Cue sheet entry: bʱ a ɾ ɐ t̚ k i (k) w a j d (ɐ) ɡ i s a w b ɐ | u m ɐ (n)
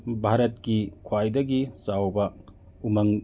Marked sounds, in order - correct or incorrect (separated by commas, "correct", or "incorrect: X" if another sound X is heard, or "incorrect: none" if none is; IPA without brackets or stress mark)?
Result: incorrect: kʰ, correct, incorrect: ŋ